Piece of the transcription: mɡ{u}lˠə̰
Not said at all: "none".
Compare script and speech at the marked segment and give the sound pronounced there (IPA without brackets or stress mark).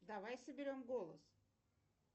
o